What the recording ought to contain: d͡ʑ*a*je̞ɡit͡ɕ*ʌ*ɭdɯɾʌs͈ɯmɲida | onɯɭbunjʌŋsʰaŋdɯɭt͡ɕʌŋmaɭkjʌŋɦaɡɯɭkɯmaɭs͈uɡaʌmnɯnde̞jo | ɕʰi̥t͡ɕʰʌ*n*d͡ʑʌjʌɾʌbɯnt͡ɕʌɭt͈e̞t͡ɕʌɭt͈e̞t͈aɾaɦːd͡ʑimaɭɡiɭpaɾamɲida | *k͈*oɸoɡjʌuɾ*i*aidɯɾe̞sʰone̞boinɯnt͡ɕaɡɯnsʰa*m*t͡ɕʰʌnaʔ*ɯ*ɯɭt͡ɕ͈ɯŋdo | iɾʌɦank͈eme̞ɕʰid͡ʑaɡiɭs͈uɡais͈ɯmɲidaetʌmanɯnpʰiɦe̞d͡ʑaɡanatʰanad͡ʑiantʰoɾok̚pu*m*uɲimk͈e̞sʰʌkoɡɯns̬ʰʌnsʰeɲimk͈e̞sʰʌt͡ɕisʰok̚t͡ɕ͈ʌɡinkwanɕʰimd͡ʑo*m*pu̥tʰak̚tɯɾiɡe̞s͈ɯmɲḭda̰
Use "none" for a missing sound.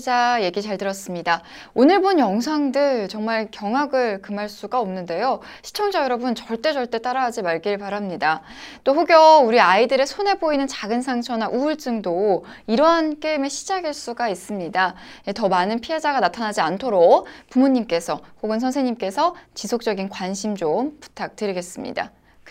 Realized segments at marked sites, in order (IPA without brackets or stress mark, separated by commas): a, a, ŋ, t͈, i, ŋ, u, m, m